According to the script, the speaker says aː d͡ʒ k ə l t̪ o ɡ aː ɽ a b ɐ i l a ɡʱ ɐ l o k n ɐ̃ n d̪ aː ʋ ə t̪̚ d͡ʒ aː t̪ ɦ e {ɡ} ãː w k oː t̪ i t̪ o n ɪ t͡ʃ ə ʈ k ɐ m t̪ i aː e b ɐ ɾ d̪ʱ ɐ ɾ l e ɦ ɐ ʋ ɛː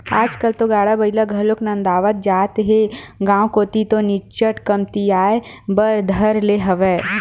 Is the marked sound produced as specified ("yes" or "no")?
yes